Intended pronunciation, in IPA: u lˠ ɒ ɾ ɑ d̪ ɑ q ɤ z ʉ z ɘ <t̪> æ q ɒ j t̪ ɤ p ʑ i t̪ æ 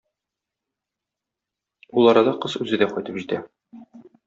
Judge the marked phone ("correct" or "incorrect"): incorrect